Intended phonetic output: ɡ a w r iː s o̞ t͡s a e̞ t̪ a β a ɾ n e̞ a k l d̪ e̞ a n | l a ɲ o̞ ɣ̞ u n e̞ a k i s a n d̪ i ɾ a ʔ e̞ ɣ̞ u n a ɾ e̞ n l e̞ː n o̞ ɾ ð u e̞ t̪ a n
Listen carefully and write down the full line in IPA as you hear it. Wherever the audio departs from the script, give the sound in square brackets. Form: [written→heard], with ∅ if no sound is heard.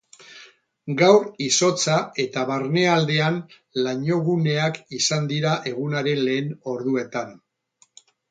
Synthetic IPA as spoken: ɡ a w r [iː→i] s o̞ t͡s a e̞ t̪ a β a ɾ n e̞ a [k→∅] l d̪ e̞ a n | l a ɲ o̞ ɣ̞ u n e̞ a k i s a n d̪ i ɾ a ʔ e̞ ɣ̞ u n a ɾ e̞ n l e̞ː n o̞ ɾ ð u e̞ t̪ a n